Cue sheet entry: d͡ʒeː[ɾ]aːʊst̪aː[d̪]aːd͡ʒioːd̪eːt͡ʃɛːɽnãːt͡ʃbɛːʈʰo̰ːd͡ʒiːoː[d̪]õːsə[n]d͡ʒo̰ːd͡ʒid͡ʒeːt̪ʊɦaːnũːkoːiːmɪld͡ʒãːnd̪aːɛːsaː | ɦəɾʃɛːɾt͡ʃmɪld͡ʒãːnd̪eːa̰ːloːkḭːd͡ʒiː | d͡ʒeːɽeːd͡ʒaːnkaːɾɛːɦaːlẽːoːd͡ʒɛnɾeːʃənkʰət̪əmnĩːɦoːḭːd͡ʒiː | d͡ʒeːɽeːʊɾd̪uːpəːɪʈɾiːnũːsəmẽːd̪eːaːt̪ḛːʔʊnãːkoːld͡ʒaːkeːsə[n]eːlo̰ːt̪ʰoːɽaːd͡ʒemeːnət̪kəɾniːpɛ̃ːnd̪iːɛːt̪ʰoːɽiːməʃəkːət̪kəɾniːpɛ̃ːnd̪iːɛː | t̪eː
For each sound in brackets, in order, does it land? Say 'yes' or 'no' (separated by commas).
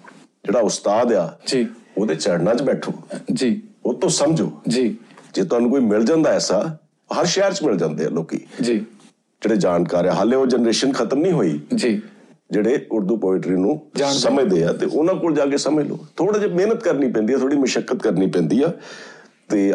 no, yes, no, no, no